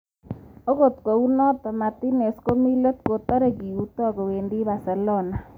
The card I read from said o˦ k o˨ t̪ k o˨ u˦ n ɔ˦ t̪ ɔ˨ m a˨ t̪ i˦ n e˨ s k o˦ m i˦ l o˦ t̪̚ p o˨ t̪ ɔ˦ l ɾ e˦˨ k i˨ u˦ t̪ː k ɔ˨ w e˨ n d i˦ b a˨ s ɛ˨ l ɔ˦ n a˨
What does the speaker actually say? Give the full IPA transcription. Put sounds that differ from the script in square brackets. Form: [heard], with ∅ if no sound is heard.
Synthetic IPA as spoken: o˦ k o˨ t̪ k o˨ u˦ n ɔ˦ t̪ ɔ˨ m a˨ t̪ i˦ n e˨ s k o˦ m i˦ l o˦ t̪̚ [k] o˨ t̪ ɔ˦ [∅] ɾ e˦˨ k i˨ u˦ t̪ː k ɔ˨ w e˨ n d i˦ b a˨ s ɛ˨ l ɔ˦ n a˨